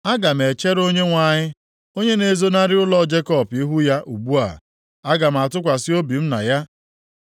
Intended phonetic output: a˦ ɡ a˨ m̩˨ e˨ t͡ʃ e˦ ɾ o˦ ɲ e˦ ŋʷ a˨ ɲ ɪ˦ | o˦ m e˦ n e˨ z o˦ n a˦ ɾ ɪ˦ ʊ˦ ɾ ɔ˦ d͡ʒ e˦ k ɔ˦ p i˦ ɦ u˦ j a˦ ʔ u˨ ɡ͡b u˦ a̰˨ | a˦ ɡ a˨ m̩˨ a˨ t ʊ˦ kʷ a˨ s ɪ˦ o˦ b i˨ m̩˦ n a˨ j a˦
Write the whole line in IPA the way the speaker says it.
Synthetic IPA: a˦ ɡ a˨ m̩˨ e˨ t͡ʃ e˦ ɾ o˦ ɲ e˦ ŋʷ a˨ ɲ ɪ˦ | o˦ ɲ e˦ n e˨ z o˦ n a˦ ɾ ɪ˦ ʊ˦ l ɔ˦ d͡ʒ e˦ k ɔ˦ p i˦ ɦ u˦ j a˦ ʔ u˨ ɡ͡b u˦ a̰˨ | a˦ ɡ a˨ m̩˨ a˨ t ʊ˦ kʷ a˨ s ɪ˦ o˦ b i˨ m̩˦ n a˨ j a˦

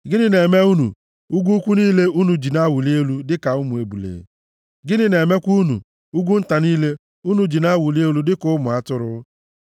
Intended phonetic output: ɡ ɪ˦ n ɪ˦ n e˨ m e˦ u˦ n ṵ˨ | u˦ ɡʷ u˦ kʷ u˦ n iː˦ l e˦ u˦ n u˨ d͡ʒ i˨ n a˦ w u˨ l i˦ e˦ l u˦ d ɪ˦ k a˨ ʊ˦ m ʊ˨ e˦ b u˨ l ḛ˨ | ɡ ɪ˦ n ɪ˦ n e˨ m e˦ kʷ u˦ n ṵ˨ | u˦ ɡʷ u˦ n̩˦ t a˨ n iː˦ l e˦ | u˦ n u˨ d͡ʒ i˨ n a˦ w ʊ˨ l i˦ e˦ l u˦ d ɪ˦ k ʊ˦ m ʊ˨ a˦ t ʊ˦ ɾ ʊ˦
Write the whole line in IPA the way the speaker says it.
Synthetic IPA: ɡ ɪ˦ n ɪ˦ n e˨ m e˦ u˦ n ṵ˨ | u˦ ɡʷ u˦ kʷ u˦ n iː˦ l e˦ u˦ n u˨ d͡ʒ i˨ n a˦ w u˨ l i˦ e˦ l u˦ d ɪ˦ k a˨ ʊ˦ m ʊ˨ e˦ b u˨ l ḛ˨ | ɡ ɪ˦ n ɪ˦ n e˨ m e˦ kʷ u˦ n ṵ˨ | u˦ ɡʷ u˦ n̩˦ t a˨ n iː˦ l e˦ | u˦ n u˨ d͡ʒ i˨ n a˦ w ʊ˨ l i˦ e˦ l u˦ d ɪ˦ k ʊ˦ m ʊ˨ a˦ t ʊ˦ ɾ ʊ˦

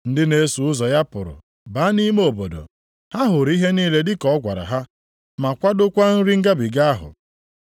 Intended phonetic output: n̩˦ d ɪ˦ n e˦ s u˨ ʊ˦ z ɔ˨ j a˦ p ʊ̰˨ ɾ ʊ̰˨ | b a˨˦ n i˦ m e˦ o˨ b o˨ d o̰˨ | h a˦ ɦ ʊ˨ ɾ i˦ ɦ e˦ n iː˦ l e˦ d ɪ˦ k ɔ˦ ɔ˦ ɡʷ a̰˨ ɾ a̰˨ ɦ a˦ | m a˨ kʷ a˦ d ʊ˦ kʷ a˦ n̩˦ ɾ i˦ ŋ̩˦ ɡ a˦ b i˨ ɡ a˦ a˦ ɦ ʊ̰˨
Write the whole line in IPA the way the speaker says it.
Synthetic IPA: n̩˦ d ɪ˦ n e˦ s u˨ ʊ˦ z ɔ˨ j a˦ p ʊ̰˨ ɾ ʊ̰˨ | b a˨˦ n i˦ m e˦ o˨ b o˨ d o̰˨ | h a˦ ɦ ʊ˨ ɾ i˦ ɦ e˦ n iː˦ l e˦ d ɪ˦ k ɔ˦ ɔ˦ ɡʷ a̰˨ ɾ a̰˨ ɦ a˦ | m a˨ kʷ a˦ d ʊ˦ kʷ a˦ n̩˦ ɾ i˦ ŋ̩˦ ɡ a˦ b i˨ ɡ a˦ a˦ ɦ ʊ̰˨

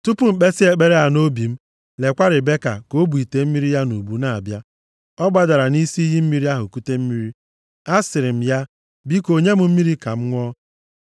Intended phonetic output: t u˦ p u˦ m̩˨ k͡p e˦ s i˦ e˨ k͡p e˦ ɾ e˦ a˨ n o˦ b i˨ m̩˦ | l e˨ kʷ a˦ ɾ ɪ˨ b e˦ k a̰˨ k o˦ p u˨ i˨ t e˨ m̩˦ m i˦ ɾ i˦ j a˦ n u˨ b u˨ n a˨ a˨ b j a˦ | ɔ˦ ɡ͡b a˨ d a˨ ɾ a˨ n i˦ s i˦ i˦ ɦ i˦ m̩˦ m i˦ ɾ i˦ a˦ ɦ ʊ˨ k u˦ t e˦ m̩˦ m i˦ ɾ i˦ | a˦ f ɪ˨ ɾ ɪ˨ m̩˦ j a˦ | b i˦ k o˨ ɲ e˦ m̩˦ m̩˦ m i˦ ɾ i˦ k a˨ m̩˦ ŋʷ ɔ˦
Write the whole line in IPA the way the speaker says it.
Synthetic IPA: t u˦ p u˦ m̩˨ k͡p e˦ s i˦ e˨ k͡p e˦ ɾ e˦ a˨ n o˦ b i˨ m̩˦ | l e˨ kʷ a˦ ɾ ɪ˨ b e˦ k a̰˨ k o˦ b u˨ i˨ t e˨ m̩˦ m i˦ ɾ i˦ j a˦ n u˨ b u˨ n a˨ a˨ b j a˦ | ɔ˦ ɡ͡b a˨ d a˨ ɾ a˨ n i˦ s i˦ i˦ ɦ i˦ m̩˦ m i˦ ɾ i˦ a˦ ɦ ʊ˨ k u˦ t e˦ m̩˦ m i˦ ɾ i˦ | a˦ s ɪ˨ ɾ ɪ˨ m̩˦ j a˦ | b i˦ k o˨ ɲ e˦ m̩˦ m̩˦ m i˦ ɾ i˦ k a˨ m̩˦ ŋʷ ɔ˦

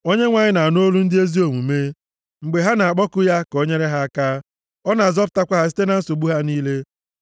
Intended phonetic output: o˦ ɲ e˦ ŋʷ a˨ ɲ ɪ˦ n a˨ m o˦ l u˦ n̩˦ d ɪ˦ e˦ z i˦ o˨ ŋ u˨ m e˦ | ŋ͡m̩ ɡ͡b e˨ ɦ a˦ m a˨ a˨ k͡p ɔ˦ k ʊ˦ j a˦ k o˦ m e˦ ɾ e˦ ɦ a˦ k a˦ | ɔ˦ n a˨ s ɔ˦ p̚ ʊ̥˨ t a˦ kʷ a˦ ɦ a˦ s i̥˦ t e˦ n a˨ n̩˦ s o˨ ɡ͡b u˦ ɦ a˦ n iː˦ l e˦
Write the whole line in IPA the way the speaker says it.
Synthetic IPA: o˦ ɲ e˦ ŋʷ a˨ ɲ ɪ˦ n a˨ n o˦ l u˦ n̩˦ d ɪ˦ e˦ z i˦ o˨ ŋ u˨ m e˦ | ŋ͡m̩ ɡ͡b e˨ ɦ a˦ n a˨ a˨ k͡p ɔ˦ k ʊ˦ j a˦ k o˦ ɲ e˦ ɾ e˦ ɦ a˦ k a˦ | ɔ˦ n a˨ z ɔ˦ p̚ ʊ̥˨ t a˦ kʷ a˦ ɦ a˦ s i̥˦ t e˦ n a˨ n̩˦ s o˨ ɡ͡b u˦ ɦ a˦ n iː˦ l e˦

